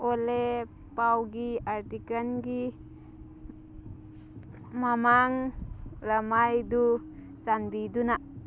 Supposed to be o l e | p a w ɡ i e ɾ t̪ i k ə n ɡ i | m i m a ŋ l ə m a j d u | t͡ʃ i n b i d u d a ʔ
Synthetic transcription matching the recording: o l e | p a w ɡ i a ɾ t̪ i k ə n ɡ i | m a m a ŋ l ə m a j d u | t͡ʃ a n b i d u n a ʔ